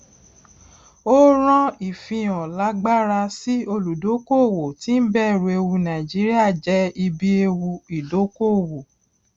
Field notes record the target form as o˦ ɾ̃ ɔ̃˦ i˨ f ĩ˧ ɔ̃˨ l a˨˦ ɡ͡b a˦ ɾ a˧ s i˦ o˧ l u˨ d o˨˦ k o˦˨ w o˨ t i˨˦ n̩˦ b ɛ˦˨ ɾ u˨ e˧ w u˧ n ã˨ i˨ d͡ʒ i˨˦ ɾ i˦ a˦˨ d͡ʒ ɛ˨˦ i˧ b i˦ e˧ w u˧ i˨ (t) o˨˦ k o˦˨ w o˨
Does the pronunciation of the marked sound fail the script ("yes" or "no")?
yes